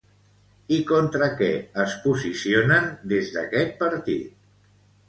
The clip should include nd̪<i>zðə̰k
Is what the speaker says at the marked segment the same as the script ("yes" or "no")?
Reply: no